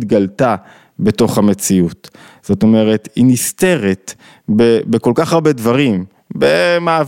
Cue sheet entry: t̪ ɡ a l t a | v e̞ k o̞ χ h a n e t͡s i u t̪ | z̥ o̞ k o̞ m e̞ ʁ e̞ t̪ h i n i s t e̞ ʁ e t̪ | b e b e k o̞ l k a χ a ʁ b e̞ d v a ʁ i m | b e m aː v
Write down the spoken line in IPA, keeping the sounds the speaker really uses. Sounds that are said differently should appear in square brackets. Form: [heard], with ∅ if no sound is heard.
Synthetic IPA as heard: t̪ ɡ a l t a | [b] e̞ [t] o̞ χ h a [m] e t͡s i u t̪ | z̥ o̞ [t] o̞ m e̞ ʁ e̞ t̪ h i n i s t e̞ ʁ e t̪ | b e b e k o̞ l k a χ a ʁ b e̞ d v a ʁ i m | b e m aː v